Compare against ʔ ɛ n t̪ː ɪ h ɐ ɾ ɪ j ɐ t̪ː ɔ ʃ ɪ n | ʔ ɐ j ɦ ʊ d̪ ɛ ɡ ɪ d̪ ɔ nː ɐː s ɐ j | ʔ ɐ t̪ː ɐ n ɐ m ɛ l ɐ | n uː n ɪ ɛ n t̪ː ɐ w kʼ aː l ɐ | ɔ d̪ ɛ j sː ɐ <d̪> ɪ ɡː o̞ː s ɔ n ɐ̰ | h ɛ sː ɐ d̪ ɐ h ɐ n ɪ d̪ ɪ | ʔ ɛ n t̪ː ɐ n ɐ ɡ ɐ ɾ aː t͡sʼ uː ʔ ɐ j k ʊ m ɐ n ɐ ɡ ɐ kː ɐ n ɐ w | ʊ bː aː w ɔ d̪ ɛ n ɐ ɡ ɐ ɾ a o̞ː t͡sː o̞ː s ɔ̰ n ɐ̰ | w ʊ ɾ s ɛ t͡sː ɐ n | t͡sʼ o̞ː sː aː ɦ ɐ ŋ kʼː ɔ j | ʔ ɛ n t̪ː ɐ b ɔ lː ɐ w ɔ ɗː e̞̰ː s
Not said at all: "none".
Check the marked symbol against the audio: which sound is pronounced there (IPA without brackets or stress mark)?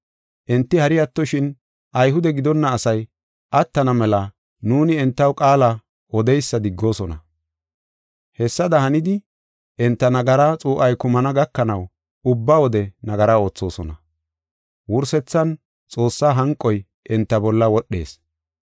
d̪